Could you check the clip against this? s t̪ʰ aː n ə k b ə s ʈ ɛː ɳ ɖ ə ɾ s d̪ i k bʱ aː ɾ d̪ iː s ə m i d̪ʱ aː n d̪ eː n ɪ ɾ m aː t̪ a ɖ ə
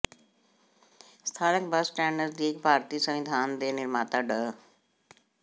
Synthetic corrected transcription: s t̪ʰ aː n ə k b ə s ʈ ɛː ɳ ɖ ə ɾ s d̪ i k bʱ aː ɾ t̪ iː s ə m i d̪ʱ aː n d̪ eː n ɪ ɾ m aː t̪ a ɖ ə

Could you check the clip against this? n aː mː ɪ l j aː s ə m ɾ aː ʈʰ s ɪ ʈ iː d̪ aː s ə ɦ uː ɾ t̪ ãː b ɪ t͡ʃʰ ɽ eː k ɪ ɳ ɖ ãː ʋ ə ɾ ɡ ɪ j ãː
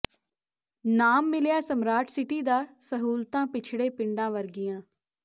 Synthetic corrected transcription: n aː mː ɪ l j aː s ə m ɾ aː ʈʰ s ɪ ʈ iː d̪ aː s ə ɦ uː l t̪ ãː p ɪ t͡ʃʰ ɽ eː p ɪ ɳ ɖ ãː ʋ ə ɾ ɡ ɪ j ãː

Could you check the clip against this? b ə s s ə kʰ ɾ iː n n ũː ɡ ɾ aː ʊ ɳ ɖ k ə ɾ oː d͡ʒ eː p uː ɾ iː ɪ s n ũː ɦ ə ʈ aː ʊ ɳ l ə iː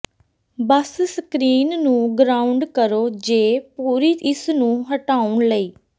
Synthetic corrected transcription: b ə s s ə k ɾ iː n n ũː ɡ ɾ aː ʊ ɳ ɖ k ə ɾ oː d͡ʒ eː p uː ɾ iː ɪ s n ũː ɦ ə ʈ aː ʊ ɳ l ə iː

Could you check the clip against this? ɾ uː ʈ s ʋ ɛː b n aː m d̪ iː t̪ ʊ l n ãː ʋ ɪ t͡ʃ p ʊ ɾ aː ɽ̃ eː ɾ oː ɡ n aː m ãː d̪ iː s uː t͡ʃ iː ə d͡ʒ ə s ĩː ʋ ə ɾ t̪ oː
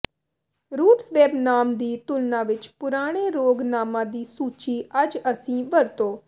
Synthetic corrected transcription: ɾ uː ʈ s ʋ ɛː b n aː m d̪ iː t̪ ʊ l n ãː ʋ ɪ t͡ʃ p ʊ ɾ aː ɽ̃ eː ɾ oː ɡ n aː m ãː d̪ iː s uː t͡ʃ iː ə d͡ʒ ə s ĩː ʋ ə ɾ t̪ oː

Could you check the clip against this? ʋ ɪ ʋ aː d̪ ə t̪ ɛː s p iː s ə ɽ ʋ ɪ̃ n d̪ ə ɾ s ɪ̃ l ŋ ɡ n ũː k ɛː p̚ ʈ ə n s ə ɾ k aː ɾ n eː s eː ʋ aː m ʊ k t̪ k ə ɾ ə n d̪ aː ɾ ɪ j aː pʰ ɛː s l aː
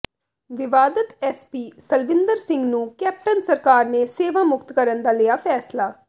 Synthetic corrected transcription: ʋ ɪ ʋ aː d̪ ə t̪ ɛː s p iː s ə l ʋ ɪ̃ n d̪ ə ɾ s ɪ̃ ŋ ɡ n ũː k ɛː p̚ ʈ ə n s ə ɾ k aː ɾ n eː s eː ʋ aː m ʊ k t̪ k ə ɾ ə n d̪ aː l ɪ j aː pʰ ɛː s l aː

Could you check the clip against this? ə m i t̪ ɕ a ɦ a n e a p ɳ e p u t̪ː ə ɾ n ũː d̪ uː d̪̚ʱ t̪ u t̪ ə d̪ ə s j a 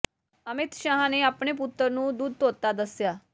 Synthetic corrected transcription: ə m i t̪ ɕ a ɦ a n e a p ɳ e p u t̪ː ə ɾ n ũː d̪ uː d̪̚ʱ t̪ o t̪ a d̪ ə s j a

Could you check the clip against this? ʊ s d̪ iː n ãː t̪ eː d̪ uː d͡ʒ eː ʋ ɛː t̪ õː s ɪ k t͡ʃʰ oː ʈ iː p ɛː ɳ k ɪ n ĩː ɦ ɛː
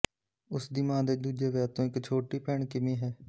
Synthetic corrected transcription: ʊ s d̪ iː m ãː d̪ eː d̪ uː d͡ʒ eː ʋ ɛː t̪ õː ɪ k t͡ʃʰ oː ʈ iː p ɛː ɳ k ɪ m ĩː ɦ ɛː

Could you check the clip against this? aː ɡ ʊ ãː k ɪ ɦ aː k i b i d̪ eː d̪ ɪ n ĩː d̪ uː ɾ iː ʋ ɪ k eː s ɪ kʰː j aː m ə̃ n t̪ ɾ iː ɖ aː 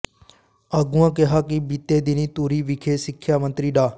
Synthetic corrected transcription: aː ɡ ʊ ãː k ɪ ɦ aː k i b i t̪ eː d̪ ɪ n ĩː t̪ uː ɾ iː ʋ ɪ kʰ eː s ɪ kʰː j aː m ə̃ n t̪ ɾ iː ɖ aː

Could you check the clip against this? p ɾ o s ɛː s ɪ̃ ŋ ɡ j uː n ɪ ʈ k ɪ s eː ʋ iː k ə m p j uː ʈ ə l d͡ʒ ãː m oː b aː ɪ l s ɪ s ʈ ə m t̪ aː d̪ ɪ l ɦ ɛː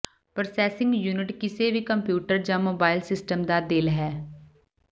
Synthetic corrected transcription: p ɾ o s ɛː s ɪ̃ ŋ ɡ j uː n ɪ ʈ k ɪ s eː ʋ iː k ə m p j uː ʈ ə ɾ d͡ʒ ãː m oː b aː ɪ l s ɪ s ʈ ə m d̪ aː d̪ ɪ l ɦ ɛː

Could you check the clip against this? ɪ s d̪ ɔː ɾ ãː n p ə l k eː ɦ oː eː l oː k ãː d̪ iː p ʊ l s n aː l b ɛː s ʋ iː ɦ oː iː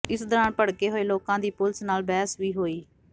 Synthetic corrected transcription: ɪ s d̪ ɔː ɾ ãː n p ə ɽ k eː ɦ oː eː l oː k ãː d̪ iː p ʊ l s n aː l b ɛː s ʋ iː ɦ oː iː

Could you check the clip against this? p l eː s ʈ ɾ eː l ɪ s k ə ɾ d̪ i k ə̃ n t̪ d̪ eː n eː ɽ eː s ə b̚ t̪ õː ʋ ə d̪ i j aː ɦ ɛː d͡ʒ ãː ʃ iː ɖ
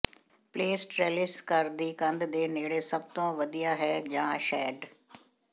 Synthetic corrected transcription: p l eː s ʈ ɾ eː l ɪ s k ə ɾ d̪ iː k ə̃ n d̪ d̪ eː n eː ɽ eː s ə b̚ t̪ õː ʋ ə d̪ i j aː ɦ ɛː d͡ʒ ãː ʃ ɛː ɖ

